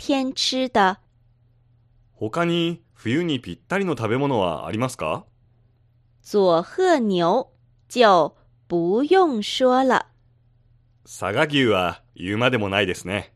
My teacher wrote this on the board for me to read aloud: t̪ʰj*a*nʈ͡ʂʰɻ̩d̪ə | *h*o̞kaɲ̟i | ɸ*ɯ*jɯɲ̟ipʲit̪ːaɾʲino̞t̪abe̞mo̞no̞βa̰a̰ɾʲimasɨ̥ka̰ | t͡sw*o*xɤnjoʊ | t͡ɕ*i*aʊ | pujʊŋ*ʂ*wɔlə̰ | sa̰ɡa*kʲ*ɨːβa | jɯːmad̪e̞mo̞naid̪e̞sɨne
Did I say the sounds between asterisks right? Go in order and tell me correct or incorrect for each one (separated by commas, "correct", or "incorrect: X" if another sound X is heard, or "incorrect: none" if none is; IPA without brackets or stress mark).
incorrect: ɛ, correct, correct, incorrect: ɔ, incorrect: j, correct, incorrect: ɡʲ